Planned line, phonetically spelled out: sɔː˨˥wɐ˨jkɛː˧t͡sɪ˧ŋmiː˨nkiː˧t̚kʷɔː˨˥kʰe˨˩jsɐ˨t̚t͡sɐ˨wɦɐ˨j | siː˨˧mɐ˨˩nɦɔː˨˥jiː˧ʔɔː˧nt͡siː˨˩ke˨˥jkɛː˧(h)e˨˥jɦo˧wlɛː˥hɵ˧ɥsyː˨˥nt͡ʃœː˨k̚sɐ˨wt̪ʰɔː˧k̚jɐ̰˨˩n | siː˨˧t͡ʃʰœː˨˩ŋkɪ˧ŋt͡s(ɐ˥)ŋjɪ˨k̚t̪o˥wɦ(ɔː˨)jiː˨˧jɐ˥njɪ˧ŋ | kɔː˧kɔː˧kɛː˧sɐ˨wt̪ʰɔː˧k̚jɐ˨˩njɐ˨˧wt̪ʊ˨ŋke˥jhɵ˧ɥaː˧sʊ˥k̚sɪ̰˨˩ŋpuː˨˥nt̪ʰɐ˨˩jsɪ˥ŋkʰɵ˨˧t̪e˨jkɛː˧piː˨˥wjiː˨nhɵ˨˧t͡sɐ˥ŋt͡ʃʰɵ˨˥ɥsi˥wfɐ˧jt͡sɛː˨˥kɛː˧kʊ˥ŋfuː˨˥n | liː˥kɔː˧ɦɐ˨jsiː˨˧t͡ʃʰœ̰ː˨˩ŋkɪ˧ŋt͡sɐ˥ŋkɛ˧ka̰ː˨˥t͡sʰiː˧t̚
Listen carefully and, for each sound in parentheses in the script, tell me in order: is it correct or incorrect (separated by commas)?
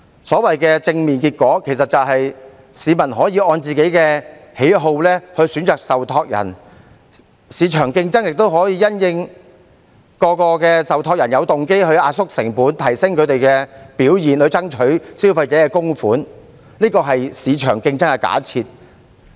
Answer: correct, correct, incorrect